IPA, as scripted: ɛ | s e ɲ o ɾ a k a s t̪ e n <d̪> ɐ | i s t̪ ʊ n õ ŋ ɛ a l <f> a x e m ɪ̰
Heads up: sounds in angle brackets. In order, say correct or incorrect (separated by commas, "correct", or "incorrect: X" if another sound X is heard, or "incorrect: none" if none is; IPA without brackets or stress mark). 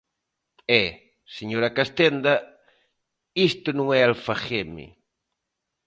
correct, correct